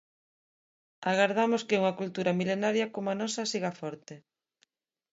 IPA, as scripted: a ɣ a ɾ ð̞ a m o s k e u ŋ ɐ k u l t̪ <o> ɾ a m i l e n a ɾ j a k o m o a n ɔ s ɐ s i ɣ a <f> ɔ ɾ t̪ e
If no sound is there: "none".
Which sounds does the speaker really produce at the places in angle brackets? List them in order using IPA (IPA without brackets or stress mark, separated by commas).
u, f